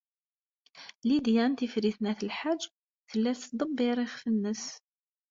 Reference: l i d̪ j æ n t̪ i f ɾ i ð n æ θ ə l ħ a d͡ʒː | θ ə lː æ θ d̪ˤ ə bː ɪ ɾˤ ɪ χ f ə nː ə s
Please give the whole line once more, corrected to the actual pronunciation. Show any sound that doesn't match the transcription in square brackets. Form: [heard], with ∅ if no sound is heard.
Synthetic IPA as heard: l i d̪ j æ n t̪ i f ɾ i [θ] n æ θ ə l ħ a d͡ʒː | θ ə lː æ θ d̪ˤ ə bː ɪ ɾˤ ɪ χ f ə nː ə s